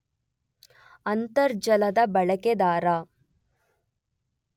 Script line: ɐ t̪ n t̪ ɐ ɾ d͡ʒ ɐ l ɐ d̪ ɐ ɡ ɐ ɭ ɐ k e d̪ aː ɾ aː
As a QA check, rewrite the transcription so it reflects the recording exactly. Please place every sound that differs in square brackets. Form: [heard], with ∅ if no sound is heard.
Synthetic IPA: ɐ [∅] n t̪ ɐ ɾ d͡ʒ ɐ l ɐ d̪ ɐ [b] ɐ ɭ ɐ k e d̪ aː ɾ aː